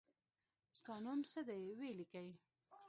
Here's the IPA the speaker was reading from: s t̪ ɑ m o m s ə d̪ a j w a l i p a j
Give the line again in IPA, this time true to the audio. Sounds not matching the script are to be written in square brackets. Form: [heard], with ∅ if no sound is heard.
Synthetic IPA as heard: s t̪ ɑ [n] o m s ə d̪ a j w [e] l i [k] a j